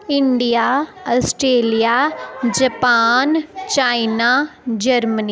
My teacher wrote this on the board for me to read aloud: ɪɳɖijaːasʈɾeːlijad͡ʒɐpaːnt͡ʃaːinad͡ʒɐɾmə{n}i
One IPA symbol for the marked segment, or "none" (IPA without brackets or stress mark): n